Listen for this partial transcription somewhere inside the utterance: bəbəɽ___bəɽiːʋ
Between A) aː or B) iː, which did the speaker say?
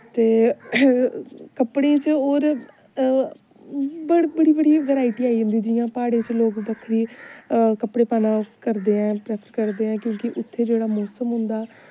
B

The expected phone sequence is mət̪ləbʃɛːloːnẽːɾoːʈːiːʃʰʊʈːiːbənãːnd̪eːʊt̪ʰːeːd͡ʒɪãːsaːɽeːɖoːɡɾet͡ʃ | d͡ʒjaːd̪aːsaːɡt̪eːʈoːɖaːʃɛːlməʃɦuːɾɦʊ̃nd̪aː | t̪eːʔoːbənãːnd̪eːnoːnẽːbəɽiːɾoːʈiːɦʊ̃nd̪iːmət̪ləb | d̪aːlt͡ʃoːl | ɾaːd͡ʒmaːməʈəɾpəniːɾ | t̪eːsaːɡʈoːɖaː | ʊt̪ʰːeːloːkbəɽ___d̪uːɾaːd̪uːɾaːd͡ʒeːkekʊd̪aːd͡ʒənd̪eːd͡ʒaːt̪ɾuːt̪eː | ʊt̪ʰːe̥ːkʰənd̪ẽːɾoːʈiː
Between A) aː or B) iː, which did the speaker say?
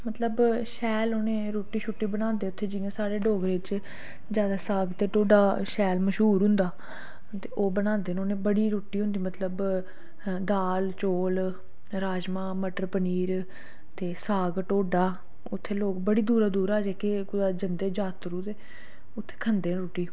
B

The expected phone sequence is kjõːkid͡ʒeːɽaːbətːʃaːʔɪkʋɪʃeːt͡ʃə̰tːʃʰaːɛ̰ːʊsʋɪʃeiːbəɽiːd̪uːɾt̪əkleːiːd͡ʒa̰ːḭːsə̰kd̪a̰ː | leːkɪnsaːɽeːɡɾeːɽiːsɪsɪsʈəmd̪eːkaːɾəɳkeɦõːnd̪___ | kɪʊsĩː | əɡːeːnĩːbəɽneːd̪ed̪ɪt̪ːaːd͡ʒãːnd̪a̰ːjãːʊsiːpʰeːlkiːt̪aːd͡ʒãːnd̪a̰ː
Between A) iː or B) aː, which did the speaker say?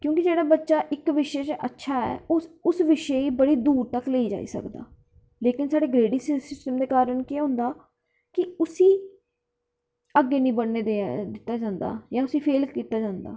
B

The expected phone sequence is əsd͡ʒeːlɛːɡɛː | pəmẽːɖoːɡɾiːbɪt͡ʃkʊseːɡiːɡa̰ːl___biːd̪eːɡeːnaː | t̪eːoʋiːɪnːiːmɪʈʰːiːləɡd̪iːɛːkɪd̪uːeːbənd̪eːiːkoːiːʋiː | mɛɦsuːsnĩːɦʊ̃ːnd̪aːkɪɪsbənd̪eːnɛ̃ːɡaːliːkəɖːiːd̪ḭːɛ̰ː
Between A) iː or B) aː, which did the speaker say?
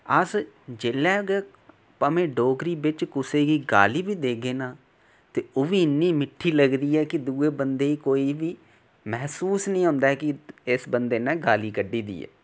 A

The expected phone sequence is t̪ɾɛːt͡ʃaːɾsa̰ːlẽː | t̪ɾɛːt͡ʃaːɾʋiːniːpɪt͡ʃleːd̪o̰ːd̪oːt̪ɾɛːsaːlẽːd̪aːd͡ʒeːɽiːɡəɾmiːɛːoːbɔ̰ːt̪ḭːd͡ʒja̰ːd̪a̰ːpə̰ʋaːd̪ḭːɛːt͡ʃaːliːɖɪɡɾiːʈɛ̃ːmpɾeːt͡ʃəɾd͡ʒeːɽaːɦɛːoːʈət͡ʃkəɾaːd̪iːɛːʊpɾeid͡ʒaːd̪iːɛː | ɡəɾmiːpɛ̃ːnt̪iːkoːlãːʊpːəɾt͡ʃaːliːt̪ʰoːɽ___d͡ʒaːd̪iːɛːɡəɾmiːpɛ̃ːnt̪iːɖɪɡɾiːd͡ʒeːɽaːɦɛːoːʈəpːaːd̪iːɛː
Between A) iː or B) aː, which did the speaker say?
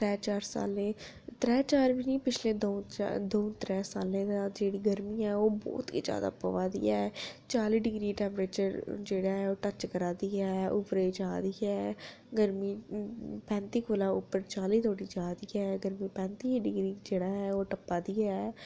A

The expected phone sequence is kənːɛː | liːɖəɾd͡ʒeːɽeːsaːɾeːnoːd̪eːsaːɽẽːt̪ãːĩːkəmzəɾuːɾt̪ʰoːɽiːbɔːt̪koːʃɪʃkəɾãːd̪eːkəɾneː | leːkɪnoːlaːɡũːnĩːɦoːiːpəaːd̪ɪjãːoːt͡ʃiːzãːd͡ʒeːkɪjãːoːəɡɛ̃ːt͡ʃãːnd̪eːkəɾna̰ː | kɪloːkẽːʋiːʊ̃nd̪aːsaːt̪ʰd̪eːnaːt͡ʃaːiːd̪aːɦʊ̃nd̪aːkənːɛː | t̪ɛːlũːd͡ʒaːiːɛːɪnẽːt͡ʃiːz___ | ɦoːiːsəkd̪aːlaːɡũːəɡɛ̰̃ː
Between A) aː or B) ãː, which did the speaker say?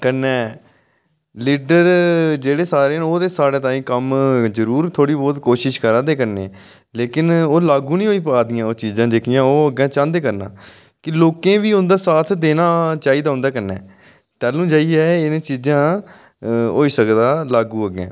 B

